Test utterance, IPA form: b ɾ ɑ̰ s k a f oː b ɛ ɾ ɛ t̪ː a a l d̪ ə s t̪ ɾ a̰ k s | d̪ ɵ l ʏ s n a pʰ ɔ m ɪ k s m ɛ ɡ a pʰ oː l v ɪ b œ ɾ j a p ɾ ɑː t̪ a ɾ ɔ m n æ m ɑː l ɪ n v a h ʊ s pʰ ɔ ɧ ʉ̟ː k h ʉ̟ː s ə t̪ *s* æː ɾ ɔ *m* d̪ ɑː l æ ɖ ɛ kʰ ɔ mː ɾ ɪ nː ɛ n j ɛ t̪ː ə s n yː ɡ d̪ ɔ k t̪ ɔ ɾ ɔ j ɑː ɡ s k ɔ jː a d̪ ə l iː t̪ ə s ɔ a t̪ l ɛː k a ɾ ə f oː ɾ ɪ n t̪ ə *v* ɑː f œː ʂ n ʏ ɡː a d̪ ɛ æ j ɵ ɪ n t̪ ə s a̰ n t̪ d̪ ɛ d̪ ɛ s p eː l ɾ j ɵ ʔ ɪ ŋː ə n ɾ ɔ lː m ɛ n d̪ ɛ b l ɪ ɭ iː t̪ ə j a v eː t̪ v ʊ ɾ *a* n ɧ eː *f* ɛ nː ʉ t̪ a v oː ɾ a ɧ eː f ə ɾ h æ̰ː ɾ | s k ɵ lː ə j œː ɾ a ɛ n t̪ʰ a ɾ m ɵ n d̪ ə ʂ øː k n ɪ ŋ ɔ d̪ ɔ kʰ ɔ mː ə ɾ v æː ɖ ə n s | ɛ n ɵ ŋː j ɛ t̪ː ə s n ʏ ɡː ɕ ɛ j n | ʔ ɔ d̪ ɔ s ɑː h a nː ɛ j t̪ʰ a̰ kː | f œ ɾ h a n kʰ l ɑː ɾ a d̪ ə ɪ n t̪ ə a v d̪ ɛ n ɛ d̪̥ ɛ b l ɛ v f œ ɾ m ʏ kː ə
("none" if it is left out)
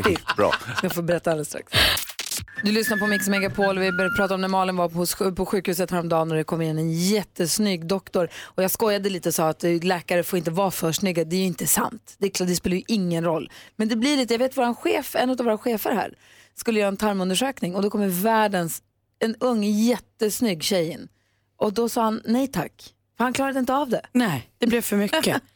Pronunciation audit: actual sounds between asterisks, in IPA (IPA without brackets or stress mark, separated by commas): h, m, v, a, f